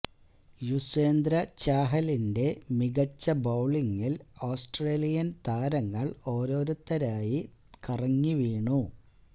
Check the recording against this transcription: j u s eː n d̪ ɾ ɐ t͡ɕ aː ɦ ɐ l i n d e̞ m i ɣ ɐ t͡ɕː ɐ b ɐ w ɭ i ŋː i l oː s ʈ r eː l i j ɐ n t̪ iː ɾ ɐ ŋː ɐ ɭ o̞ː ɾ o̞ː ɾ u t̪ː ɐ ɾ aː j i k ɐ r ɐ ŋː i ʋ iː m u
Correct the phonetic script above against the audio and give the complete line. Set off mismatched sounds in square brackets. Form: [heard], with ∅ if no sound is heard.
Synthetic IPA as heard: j u s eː n d̪ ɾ ɐ t͡ɕ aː ɦ ɐ l i n d e̞ m i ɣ ɐ t͡ɕː ɐ b ɐ w ɭ i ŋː i l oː s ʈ r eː l i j ɐ n t̪ [aː] ɾ ɐ ŋː ɐ ɭ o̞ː ɾ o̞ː ɾ u t̪ː ɐ ɾ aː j i k ɐ r ɐ ŋː i ʋ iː [ɳ] u

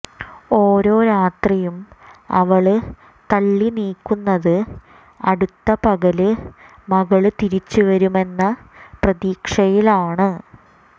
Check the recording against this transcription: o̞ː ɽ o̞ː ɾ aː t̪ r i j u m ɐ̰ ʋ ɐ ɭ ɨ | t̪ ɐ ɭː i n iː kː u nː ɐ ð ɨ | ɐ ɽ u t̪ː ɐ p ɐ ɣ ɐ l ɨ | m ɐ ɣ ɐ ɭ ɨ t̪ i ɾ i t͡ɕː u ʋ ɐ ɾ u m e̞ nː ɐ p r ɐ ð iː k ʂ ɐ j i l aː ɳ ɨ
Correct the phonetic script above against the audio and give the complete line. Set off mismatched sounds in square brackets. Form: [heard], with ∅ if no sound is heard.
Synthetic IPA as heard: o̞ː [ɾ] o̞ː ɾ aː t̪ r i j u m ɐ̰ ʋ ɐ ɭ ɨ | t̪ ɐ ɭː i n iː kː u nː ɐ ð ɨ | ɐ ɽ u t̪ː ɐ p ɐ ɣ ɐ l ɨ | m ɐ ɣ ɐ ɭ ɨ t̪ i ɾ i t͡ɕː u ʋ ɐ ɾ u m e̞ nː ɐ p r ɐ ð iː k ʂ ɐ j i l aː ɳ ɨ

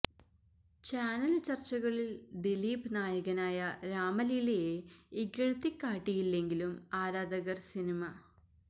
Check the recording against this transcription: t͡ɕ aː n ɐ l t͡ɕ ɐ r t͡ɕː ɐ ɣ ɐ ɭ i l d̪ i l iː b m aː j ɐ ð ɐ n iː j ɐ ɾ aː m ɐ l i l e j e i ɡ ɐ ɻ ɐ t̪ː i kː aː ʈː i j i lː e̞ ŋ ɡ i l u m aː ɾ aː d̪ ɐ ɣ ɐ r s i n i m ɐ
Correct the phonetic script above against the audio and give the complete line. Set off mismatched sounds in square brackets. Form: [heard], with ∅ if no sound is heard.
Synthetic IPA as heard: t͡ɕ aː n ɐ l t͡ɕ ɐ r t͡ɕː ɐ ɣ ɐ ɭ i l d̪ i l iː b [n] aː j ɐ [ɣ] ɐ n [aː] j ɐ ɾ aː m ɐ l i l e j e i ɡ ɐ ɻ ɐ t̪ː i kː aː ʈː i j i lː e̞ ŋ ɡ i l u m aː ɾ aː d̪ ɐ ɣ ɐ r s i n i m ɐ

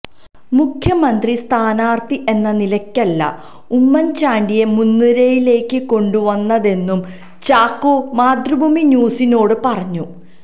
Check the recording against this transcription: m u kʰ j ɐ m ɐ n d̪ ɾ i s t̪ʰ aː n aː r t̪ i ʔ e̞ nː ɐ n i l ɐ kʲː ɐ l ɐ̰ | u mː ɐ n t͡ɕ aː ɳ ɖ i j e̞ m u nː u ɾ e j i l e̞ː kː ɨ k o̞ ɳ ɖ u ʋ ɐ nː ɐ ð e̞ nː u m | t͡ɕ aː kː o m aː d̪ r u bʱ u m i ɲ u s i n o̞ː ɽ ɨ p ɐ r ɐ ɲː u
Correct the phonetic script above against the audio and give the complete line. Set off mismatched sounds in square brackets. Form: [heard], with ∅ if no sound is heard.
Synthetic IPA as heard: m u kʰ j ɐ m ɐ n d̪ [r] i s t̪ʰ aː n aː r t̪ i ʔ e̞ nː ɐ n i l ɐ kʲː ɐ [lː] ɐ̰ | u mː ɐ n t͡ɕ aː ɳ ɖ i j e̞ m u nː u ɾ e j i l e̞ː kː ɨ k o̞ ɳ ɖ u ʋ ɐ nː ɐ ð e̞ nː u m | t͡ɕ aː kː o m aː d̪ r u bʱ u m i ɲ [uː] s i n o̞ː ɽ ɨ p ɐ r ɐ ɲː u

